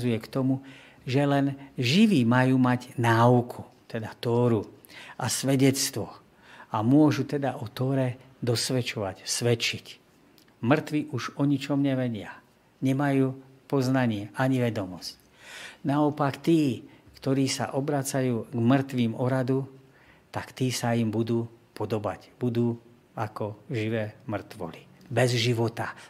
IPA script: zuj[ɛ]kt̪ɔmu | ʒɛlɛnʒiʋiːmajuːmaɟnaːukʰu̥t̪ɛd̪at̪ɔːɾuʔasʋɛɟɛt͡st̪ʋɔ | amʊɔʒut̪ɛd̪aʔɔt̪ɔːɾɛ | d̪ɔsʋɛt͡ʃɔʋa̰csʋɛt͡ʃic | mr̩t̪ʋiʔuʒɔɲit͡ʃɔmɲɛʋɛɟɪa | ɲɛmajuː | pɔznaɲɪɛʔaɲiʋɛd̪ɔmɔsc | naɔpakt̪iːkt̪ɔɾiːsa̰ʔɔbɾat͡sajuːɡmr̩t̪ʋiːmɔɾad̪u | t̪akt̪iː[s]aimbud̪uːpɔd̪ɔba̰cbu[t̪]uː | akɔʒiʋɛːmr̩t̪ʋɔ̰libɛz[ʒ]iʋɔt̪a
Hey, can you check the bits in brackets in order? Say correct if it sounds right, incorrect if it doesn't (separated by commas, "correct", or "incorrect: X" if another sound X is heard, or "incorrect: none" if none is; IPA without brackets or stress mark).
correct, correct, incorrect: d̪, correct